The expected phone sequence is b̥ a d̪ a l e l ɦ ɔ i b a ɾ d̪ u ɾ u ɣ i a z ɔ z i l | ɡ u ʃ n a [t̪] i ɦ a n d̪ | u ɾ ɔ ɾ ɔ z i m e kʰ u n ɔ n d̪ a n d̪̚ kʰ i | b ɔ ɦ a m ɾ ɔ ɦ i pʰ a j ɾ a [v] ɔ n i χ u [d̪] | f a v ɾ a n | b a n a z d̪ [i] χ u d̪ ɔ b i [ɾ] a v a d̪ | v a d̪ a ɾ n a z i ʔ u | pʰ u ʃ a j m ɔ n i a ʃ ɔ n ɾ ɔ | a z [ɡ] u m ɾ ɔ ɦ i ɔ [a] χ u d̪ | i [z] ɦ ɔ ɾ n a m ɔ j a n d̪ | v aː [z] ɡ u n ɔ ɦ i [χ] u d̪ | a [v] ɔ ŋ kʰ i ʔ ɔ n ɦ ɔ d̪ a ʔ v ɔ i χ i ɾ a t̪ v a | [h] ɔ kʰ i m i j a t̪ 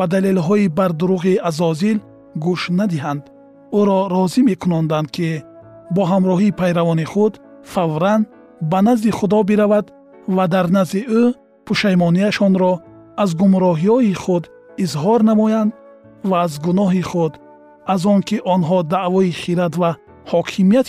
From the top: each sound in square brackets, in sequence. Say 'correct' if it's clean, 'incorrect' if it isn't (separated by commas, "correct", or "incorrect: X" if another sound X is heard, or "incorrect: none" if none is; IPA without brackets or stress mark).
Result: incorrect: d̪, correct, correct, correct, correct, correct, incorrect: i, correct, correct, correct, incorrect: z, correct